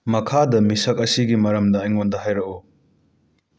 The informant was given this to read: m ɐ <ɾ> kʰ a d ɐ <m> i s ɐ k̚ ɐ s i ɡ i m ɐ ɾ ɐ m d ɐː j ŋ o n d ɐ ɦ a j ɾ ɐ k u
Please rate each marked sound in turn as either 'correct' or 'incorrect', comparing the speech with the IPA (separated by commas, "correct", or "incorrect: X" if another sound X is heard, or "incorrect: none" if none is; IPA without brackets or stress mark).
incorrect: none, correct